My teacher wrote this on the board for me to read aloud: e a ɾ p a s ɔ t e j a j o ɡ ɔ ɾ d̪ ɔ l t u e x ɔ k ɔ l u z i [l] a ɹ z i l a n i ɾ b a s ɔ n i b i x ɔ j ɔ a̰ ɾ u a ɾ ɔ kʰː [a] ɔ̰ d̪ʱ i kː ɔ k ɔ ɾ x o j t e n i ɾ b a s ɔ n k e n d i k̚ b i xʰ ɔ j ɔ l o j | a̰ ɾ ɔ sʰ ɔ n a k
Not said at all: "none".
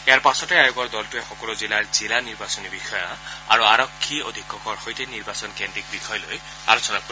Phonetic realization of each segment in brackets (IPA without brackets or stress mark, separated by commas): l, i